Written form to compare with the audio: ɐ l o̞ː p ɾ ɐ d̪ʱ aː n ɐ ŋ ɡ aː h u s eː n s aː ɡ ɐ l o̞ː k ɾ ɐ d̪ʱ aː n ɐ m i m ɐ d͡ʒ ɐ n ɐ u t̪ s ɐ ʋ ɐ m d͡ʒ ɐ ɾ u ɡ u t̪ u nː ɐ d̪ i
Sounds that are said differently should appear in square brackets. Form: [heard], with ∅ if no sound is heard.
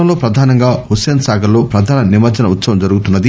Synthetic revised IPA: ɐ l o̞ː p ɾ ɐ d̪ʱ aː n ɐ ŋ ɡ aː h u s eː n s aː ɡ ɐ l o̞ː [p] ɾ ɐ d̪ʱ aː n ɐ [n] i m ɐ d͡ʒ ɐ n ɐ u t̪ s ɐ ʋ ɐ m d͡ʒ ɐ ɾ u ɡ u t̪ u nː ɐ d̪ i